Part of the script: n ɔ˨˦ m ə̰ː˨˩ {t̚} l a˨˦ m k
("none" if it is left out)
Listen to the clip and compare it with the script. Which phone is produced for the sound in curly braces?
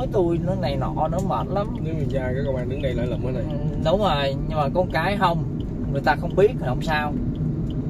t̚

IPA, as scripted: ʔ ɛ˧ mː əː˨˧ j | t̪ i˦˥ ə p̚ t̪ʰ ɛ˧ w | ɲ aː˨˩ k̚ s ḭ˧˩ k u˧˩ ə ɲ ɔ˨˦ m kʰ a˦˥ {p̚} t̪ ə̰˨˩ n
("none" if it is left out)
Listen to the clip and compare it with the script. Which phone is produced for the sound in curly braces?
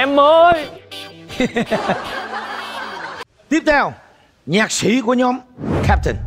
p̚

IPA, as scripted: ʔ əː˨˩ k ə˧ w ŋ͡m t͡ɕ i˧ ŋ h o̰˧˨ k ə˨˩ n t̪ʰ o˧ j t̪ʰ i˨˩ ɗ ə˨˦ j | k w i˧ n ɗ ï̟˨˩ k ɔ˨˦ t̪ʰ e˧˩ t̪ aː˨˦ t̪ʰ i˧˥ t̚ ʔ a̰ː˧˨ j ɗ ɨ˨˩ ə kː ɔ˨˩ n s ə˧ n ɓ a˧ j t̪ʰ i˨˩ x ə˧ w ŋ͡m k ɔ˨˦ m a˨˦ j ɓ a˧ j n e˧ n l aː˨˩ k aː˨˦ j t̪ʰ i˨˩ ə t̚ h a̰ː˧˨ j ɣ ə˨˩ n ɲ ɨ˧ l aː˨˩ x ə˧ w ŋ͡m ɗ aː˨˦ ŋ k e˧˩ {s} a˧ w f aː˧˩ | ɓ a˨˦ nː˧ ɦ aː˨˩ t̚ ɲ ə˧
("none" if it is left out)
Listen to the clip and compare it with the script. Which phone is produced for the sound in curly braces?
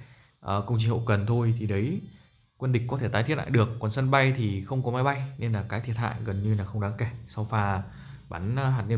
s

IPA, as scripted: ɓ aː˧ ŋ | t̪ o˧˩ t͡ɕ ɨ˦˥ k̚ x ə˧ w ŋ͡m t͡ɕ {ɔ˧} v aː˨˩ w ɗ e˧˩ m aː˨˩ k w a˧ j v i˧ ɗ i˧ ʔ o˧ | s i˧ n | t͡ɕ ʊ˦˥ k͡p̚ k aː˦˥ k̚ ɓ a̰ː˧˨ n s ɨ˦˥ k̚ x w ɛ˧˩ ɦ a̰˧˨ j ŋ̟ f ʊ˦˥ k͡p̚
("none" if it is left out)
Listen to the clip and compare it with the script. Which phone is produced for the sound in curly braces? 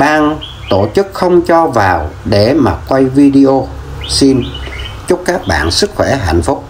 ɔ˧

